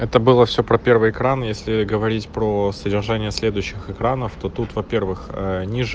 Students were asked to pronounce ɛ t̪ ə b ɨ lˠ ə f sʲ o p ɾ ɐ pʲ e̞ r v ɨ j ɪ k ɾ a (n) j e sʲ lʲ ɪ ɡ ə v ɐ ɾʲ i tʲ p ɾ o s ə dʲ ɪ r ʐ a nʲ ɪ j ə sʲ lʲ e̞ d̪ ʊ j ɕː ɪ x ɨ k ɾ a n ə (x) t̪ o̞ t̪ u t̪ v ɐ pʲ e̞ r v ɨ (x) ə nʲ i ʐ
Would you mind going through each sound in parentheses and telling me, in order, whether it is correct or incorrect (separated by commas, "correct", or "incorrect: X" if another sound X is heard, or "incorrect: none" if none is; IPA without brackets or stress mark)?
correct, incorrect: f, correct